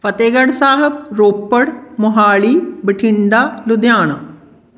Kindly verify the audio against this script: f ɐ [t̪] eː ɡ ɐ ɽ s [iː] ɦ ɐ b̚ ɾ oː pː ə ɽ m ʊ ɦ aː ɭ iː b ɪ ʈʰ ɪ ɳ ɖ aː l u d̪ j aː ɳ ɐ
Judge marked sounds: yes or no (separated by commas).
yes, no